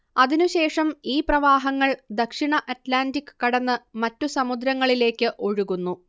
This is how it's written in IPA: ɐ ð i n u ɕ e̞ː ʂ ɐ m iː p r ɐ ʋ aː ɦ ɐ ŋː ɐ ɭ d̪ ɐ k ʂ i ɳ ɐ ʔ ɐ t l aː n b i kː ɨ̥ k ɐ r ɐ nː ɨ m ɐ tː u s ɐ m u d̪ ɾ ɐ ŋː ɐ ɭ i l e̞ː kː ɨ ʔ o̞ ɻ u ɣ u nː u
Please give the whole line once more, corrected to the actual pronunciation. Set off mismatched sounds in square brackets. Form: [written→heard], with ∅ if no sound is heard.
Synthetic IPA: ɐ ð i n u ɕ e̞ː ʂ ɐ m iː p r ɐ ʋ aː ɦ ɐ ŋː ɐ ɭ d̪ ɐ k ʂ i ɳ ɐ ʔ ɐ t l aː n [b→d] i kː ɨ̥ k ɐ [r→ɽ] ɐ nː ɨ m ɐ tː u s ɐ m u d̪ ɾ ɐ ŋː ɐ ɭ i l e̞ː kː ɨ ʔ o̞ ɻ u ɣ u nː u

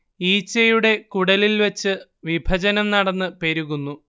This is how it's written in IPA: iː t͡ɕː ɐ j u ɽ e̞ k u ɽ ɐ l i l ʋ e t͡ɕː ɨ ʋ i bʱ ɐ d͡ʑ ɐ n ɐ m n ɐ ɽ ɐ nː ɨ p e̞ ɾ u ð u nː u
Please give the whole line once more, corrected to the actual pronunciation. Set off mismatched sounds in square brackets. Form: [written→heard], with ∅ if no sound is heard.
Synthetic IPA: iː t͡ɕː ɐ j u ɽ e̞ k u ɽ ɐ l i l ʋ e t͡ɕː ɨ ʋ i bʱ ɐ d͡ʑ ɐ n ɐ m n ɐ ɽ ɐ nː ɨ p e̞ ɾ u [ð→ɣ] u nː u

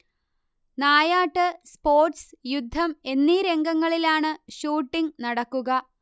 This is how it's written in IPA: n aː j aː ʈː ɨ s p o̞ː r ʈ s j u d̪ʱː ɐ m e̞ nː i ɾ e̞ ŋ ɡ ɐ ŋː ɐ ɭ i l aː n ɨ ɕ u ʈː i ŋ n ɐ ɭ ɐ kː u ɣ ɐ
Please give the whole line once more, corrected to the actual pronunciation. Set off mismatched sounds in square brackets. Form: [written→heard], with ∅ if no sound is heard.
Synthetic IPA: n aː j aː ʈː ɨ s p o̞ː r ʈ s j u d̪ʱː ɐ m e̞ nː i ɾ e̞ ŋ ɡ ɐ ŋː ɐ ɭ i l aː [n→ɳ] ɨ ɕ [u→uː] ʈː i ŋ n ɐ [ɭ→ɽ] ɐ kː u ɣ ɐ

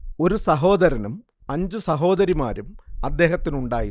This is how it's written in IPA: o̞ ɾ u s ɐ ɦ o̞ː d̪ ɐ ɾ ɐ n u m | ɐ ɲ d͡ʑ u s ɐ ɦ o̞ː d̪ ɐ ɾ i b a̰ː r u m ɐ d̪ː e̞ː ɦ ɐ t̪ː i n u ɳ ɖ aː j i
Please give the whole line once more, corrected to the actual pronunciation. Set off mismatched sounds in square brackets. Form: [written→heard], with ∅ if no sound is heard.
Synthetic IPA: o̞ ɾ u s ɐ ɦ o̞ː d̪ ɐ ɾ ɐ n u m | ɐ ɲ d͡ʑ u s ɐ ɦ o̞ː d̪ ɐ ɾ i [b→m] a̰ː [r→ɾ] u m ɐ d̪ː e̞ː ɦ ɐ t̪ː i n u ɳ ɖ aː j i

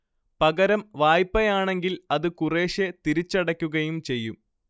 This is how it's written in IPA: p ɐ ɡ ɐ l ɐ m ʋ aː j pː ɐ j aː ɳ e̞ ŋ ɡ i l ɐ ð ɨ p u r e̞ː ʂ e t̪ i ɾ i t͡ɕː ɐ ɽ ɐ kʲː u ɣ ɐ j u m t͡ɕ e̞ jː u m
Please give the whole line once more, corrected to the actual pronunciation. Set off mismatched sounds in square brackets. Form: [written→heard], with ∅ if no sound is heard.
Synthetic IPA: p ɐ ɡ ɐ [l→ɾ] ɐ m ʋ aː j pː ɐ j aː ɳ e̞ ŋ ɡ i l ɐ ð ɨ [p→k] u r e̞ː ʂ e t̪ i ɾ i t͡ɕː ɐ ɽ ɐ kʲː u ɣ ɐ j u m t͡ɕ e̞ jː u m

